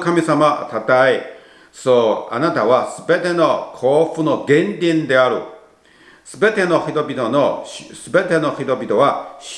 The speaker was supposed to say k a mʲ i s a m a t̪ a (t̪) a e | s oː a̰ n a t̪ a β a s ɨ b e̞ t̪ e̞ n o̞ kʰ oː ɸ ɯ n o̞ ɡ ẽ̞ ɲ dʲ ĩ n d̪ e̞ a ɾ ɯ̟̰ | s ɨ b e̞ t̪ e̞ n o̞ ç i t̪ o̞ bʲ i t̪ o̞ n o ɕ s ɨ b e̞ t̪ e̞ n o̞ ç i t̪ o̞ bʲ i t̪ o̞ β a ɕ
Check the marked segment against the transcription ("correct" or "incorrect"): correct